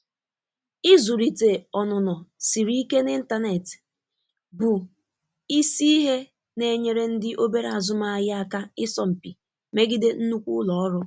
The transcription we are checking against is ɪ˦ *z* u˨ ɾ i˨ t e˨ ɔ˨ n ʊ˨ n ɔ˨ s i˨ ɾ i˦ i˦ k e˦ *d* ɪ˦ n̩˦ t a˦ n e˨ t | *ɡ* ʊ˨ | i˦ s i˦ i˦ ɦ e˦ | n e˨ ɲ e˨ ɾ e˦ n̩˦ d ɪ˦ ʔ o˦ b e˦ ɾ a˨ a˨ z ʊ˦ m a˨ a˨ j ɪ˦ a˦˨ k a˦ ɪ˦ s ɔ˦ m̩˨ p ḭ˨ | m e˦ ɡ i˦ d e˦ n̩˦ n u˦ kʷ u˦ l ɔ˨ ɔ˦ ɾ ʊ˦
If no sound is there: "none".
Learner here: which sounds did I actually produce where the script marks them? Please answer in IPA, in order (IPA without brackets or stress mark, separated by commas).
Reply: z, n, b